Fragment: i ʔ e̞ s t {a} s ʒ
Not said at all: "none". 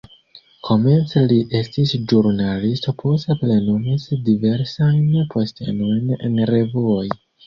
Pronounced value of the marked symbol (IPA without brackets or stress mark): i